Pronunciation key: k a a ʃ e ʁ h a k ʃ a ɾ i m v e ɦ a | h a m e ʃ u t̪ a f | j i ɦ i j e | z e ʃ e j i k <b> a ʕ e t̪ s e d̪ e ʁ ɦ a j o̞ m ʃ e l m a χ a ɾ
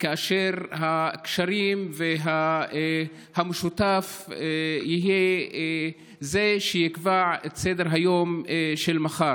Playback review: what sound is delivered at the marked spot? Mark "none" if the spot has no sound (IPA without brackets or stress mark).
v